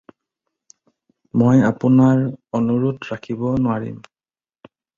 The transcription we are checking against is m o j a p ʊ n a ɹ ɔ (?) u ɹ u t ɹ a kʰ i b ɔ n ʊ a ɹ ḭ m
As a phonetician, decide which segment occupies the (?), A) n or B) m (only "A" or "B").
A